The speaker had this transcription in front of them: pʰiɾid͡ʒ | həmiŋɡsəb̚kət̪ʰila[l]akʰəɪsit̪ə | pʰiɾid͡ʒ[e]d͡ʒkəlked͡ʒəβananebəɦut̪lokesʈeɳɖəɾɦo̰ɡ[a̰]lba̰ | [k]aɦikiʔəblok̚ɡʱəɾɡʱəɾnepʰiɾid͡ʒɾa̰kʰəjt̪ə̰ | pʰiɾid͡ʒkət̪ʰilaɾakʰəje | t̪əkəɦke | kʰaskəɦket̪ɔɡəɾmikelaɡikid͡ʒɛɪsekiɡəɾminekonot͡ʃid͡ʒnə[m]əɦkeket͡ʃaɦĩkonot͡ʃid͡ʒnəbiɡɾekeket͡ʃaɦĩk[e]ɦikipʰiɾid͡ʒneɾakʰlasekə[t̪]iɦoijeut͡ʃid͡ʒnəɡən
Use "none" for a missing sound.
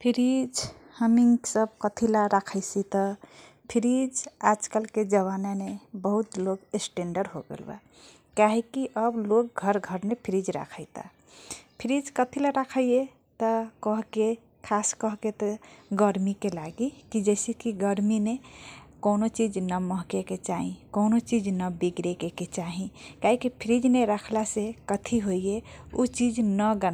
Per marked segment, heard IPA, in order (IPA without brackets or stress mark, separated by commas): ɾ, a, ḛ, k, m, a, t̪ʰ